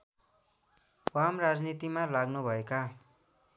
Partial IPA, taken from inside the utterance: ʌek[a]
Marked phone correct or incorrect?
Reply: correct